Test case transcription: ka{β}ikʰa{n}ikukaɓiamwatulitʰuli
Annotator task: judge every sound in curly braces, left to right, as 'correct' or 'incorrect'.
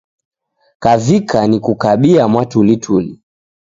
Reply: incorrect: v, correct

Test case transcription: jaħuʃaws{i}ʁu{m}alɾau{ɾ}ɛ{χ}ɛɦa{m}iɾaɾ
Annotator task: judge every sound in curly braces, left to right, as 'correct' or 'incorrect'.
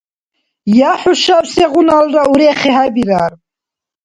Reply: incorrect: ɛ, incorrect: n, correct, correct, incorrect: b

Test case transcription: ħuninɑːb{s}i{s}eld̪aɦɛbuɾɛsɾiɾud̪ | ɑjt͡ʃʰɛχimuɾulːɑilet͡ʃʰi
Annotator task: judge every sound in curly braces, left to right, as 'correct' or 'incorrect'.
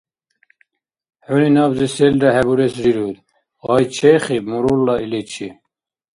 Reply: incorrect: z, correct

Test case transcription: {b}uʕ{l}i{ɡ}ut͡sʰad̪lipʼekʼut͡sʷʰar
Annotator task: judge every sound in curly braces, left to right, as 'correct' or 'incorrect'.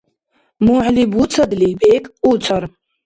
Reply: incorrect: m, correct, incorrect: b

